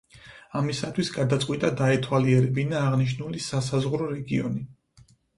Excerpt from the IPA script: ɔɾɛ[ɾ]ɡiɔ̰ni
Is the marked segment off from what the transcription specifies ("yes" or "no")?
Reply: yes